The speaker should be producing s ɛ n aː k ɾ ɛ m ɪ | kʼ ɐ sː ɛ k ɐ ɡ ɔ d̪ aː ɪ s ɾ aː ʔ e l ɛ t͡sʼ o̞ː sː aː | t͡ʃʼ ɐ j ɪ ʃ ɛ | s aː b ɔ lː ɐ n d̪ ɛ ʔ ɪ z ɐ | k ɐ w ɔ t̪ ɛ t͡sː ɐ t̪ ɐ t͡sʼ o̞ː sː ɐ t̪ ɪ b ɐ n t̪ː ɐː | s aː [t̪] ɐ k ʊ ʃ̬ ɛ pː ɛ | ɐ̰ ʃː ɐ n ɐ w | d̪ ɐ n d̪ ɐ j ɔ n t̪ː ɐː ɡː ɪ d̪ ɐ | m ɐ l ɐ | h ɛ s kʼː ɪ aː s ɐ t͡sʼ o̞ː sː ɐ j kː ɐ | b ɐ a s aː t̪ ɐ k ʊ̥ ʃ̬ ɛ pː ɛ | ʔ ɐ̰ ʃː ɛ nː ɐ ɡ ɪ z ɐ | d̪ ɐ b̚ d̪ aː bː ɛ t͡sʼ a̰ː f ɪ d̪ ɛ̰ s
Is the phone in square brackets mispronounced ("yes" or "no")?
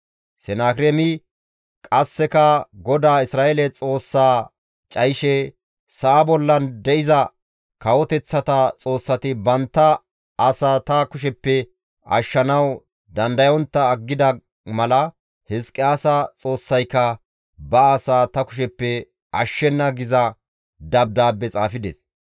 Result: no